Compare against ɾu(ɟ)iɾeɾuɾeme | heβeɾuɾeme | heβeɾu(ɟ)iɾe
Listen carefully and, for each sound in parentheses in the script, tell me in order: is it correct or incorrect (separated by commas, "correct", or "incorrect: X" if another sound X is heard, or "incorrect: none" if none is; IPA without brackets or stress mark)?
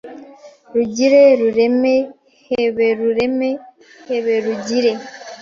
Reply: correct, correct